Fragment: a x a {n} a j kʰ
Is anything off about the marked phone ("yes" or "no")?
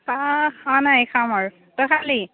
no